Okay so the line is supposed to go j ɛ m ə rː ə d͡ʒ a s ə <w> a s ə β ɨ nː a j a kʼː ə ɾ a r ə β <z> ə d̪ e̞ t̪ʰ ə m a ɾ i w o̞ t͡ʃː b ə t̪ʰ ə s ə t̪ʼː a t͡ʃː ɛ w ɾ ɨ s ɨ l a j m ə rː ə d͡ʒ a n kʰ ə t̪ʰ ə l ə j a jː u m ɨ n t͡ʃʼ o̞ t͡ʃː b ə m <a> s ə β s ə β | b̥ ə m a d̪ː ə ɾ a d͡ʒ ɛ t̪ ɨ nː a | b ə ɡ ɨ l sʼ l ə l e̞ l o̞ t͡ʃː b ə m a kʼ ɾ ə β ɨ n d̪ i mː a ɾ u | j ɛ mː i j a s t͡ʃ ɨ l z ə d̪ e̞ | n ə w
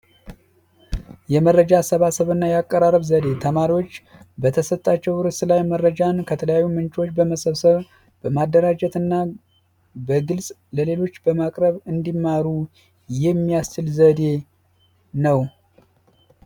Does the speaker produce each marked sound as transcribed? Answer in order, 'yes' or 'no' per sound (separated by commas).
no, yes, no